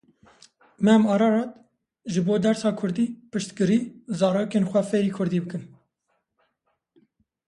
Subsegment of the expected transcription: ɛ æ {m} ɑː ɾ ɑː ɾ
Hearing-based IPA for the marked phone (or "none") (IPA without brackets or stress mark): m